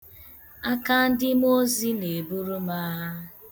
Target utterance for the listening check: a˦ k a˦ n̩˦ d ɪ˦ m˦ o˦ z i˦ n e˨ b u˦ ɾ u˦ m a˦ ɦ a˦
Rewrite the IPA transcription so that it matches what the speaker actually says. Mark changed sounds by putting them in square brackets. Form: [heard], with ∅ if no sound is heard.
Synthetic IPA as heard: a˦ k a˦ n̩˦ d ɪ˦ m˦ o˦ z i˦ n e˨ b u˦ ɾ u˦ m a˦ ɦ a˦

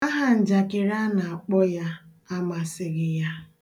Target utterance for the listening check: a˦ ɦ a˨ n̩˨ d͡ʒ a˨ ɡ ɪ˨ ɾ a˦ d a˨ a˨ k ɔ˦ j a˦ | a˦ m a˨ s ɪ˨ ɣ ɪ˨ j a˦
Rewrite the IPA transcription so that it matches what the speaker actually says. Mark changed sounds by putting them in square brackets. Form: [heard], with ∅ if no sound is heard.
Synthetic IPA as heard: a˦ ɦ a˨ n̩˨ d͡ʒ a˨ [k] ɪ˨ ɾ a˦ [n] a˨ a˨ [k͡p] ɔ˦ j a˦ | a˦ m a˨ s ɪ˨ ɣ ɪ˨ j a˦

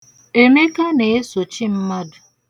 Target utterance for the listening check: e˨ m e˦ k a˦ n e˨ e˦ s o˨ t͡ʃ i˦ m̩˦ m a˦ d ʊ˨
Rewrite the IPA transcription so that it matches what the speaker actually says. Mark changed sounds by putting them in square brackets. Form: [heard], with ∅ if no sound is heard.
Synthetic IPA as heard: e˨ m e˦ k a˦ n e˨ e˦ s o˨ t͡ʃ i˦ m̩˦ m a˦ d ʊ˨

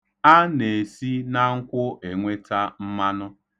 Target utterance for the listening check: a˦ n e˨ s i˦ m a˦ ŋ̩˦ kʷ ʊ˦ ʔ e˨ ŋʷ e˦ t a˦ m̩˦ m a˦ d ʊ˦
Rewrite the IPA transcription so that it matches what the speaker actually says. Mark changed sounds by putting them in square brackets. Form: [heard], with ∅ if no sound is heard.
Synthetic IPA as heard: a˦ n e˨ s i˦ [n] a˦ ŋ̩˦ kʷ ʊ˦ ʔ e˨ ŋʷ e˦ t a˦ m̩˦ m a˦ [n] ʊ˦

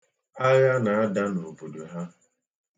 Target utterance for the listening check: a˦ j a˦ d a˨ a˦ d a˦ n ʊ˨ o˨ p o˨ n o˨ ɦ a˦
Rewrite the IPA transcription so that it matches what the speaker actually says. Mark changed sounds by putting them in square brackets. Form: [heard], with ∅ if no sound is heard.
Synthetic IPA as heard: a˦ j a˦ [n] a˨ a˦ d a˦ n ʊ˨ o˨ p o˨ [d] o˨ ɦ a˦

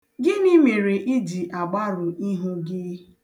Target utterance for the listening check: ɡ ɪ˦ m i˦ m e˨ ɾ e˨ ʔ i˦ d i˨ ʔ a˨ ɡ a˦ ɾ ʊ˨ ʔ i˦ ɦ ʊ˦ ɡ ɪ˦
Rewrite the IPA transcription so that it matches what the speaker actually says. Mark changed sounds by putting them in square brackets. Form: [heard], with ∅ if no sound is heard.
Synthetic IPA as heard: ɡ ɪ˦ [n] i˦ m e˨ ɾ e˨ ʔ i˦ d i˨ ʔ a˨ [ɡ͡b] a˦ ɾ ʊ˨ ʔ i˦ ɦ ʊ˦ ɡ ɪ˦

